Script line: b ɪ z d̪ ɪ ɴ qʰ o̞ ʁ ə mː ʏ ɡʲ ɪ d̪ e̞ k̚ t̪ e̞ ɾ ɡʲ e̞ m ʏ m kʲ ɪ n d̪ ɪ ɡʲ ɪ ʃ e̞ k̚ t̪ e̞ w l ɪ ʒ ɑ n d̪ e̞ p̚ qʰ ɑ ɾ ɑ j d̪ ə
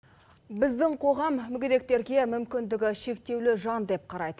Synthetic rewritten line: b ɪ z d̪ ɪ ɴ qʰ o̞ ʁ ɑ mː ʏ ɡʲ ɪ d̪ e̞ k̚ t̪ e̞ ɾ ɡʲ e̞ m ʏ m kʲ ɪ n d̪ ɪ ɡʲ ɪ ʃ e̞ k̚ t̪ e̞ w l ɪ ʒ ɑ n d̪ e̞ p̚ qʰ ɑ ɾ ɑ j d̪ ə